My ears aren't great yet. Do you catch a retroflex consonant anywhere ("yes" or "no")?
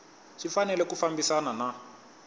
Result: no